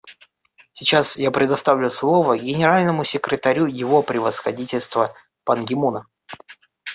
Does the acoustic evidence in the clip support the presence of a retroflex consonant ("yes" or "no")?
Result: no